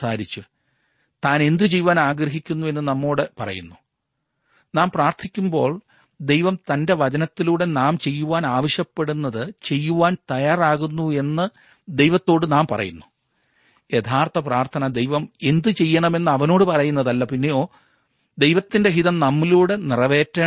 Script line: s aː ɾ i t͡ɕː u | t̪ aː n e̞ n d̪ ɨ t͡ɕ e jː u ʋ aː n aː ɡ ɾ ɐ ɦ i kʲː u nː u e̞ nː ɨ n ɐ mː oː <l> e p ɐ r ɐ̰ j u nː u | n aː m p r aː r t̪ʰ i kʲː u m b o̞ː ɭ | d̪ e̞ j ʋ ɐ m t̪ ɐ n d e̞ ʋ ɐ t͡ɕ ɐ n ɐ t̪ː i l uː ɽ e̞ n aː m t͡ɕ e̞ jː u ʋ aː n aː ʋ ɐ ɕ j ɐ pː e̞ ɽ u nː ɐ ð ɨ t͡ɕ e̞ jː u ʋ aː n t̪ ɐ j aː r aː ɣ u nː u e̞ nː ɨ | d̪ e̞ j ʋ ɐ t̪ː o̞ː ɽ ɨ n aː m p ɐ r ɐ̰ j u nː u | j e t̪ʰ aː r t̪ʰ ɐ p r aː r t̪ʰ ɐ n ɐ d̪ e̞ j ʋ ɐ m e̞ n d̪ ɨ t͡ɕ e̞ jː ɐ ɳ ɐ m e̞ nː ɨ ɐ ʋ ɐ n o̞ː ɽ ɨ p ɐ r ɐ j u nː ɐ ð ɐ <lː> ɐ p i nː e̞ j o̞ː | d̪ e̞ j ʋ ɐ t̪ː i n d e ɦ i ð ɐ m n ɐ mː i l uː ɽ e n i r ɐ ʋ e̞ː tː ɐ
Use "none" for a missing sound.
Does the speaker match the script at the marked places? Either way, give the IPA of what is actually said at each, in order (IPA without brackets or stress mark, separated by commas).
ɽ, lː